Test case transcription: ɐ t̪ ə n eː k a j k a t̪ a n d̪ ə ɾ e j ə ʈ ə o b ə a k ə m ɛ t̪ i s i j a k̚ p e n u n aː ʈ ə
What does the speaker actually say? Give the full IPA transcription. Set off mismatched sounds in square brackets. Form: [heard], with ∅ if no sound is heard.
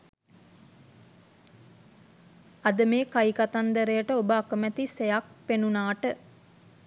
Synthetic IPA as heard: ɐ [d̪] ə [m] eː k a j k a t̪ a n d̪ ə ɾ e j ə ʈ ə o b ə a k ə m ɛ t̪ i s [e] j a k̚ p e n u n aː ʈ ə